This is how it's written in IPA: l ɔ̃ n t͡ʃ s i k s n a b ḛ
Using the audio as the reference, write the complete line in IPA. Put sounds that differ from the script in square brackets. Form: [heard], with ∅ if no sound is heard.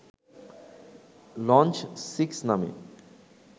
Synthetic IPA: l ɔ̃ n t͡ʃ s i k s n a [m] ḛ